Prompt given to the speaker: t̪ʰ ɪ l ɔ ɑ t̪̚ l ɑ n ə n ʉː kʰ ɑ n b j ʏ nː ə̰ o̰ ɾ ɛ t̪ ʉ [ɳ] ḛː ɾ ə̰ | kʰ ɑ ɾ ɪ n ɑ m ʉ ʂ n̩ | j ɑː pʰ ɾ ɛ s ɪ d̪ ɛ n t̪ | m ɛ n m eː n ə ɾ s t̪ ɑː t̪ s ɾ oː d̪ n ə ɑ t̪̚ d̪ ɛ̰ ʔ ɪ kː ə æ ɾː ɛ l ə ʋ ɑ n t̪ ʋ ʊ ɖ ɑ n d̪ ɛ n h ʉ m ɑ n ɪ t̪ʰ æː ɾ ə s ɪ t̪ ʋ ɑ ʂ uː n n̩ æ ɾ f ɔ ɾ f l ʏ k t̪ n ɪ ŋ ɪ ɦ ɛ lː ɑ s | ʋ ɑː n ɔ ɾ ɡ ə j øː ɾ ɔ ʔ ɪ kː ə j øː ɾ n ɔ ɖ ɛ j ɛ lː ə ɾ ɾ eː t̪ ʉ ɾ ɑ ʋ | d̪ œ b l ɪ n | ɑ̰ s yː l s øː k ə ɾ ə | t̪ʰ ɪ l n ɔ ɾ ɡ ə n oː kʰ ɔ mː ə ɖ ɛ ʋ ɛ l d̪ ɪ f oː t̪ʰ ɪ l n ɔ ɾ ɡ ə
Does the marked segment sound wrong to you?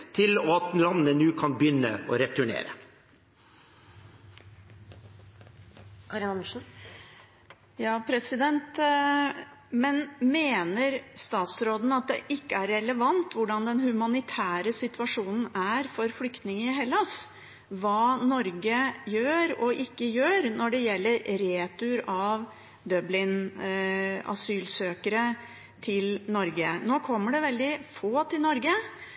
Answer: no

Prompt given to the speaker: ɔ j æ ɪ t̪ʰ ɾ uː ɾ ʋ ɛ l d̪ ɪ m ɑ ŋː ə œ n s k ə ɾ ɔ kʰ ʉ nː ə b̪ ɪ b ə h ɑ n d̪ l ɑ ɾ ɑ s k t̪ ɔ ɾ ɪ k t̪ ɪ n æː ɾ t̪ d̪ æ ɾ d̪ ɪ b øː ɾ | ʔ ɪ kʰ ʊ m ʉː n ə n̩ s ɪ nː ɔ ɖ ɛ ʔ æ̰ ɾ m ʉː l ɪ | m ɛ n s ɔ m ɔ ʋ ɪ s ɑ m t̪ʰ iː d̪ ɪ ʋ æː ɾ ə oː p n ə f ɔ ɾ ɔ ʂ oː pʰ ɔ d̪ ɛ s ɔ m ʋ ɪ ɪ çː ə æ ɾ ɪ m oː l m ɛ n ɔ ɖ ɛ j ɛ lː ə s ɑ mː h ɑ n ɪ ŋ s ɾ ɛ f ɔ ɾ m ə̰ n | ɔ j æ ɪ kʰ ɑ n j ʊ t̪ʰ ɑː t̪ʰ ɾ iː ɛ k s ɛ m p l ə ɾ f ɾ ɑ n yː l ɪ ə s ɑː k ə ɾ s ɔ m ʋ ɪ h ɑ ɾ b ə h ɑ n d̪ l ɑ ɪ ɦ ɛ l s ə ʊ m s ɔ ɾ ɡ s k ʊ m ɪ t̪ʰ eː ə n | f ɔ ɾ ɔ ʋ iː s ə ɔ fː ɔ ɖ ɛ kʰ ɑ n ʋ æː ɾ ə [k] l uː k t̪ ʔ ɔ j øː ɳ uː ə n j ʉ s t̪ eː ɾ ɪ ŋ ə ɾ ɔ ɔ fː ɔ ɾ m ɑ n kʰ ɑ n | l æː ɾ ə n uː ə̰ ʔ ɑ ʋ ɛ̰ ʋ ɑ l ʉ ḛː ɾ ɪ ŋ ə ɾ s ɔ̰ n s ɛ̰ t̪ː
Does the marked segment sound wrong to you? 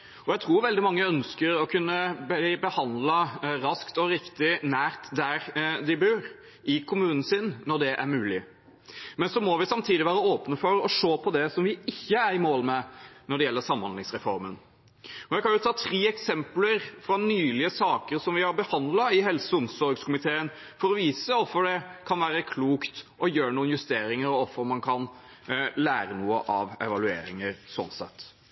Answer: yes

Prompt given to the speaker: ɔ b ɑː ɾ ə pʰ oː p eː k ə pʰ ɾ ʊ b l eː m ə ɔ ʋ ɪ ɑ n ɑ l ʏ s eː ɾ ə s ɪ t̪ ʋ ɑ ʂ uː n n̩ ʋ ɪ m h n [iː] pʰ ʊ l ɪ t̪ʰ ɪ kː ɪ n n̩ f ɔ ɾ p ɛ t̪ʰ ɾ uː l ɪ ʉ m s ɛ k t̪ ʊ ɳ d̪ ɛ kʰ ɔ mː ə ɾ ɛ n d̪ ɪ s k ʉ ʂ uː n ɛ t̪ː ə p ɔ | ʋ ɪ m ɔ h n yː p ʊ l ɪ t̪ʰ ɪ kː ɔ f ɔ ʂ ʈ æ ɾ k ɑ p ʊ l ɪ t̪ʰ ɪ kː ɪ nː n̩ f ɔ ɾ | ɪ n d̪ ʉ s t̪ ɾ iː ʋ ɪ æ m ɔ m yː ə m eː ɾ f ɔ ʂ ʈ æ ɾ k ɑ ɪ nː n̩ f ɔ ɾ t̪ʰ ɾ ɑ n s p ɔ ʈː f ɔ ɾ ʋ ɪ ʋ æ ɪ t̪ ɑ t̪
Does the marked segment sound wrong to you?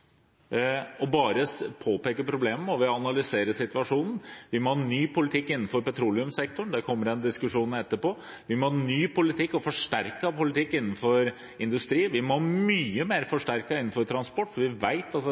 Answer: yes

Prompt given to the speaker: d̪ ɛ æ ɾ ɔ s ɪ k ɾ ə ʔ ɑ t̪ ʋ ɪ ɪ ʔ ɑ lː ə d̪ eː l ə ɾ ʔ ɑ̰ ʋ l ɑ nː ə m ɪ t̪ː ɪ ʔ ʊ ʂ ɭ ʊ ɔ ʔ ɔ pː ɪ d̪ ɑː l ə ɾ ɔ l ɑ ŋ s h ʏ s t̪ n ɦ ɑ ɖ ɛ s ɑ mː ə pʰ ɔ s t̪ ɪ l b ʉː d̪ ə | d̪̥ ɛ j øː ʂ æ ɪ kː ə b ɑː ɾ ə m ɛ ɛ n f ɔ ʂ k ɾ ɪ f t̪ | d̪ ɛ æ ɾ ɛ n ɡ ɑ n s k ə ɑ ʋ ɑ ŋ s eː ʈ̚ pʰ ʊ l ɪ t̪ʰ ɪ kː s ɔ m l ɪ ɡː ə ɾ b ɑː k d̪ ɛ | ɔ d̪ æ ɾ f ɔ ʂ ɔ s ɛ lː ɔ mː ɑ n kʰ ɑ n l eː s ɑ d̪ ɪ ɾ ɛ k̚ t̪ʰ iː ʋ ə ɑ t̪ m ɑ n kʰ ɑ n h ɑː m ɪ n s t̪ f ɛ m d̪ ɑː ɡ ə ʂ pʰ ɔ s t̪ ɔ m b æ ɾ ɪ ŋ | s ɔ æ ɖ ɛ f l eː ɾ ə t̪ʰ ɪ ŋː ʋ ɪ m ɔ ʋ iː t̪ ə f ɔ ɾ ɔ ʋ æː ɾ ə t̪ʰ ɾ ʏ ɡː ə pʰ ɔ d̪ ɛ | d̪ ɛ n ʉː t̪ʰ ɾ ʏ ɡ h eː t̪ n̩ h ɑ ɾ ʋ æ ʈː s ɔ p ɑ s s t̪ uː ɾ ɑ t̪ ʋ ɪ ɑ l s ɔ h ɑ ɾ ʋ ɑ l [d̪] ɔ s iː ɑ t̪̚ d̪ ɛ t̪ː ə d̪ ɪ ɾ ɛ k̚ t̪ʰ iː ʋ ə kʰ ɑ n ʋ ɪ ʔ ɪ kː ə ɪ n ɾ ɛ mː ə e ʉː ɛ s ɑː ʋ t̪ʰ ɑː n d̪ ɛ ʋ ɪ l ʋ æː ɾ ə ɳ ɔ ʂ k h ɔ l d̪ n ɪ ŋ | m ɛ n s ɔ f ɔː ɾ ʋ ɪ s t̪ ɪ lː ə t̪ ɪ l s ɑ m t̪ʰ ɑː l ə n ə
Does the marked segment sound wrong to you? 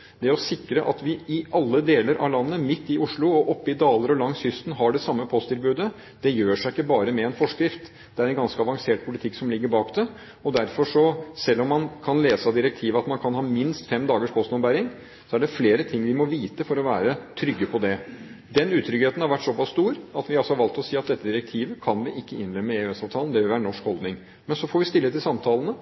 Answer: yes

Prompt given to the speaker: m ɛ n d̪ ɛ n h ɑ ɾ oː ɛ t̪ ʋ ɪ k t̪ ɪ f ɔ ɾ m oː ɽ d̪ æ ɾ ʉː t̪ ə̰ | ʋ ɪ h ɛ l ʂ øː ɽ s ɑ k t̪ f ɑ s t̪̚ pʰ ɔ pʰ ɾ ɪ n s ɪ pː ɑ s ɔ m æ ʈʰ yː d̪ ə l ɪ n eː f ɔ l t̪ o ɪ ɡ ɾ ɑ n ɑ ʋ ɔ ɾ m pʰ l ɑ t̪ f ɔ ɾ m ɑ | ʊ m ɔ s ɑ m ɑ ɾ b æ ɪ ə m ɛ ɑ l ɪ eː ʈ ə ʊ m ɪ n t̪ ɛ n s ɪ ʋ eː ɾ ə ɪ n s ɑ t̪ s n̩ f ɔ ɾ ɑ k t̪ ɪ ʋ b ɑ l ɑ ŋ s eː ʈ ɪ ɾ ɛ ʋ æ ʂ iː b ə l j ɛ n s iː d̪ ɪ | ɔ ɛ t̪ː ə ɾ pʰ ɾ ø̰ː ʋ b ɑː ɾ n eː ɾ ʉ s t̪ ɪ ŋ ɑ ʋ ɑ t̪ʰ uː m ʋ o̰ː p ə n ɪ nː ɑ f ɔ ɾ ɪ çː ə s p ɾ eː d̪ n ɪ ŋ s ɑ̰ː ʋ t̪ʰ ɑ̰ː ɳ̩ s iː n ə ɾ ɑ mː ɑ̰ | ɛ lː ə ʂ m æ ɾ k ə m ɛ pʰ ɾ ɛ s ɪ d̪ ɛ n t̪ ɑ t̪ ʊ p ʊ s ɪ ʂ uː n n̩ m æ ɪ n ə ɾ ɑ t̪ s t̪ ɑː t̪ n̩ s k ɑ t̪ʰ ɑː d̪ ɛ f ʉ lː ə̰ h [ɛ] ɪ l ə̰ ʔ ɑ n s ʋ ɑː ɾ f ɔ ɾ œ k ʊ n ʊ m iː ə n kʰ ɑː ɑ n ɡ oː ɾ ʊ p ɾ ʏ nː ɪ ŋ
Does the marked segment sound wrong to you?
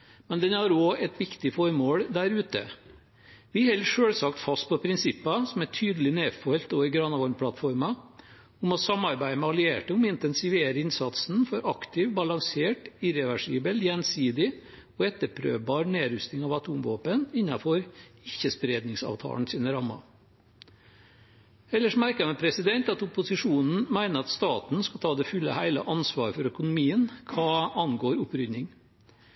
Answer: yes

